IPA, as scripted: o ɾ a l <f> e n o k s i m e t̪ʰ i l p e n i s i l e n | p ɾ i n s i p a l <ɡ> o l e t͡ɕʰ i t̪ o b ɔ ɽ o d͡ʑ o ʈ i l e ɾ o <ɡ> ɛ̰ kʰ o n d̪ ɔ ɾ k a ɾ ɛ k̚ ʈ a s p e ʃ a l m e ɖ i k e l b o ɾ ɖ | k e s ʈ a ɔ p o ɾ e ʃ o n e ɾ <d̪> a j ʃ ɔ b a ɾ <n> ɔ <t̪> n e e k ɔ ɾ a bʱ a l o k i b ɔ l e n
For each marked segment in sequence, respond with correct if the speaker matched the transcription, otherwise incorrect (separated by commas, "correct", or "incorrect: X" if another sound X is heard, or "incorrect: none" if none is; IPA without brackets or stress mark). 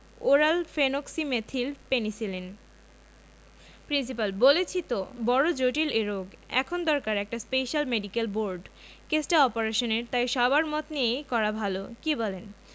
correct, incorrect: b, correct, incorrect: t̪, incorrect: m, correct